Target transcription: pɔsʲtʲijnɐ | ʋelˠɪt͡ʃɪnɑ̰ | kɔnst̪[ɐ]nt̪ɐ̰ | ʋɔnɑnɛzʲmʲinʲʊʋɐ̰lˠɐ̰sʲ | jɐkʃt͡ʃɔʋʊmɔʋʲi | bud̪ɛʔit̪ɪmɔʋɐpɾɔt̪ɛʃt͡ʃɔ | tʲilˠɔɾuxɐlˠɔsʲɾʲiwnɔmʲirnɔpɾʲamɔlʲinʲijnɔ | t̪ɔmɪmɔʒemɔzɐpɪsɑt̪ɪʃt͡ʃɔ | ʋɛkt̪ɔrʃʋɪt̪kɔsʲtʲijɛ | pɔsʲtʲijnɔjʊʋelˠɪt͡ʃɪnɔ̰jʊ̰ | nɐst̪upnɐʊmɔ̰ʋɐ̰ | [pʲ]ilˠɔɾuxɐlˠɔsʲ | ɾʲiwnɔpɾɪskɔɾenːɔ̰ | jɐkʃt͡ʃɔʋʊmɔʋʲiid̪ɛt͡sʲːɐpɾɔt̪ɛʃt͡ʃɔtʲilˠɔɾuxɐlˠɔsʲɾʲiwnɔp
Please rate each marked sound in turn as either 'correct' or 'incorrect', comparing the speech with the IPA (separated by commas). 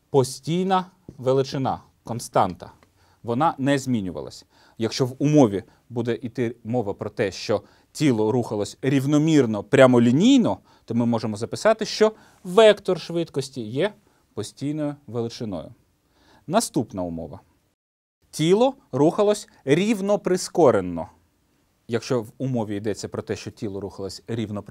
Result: incorrect, incorrect